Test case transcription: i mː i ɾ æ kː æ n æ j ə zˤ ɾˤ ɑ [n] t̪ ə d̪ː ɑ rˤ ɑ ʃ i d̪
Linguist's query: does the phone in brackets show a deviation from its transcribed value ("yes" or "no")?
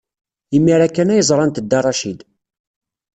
no